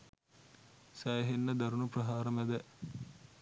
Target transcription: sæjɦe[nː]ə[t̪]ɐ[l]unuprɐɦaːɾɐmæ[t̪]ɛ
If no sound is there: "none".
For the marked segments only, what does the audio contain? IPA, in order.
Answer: nː, d̪, ɾ, d̪

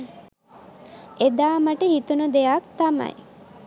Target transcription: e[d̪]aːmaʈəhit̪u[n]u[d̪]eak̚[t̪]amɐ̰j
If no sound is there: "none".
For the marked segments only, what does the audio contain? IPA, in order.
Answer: d̪, n, d̪, t̪

